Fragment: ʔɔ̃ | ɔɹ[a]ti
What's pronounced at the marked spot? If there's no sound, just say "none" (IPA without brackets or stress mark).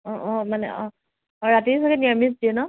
a